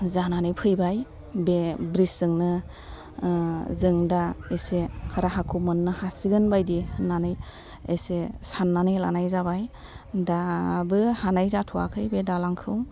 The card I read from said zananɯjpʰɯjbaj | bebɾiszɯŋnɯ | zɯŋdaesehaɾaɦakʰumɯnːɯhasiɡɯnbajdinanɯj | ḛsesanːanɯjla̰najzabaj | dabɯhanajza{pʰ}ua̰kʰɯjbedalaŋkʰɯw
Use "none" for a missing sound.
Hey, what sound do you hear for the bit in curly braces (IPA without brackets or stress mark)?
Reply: tʰ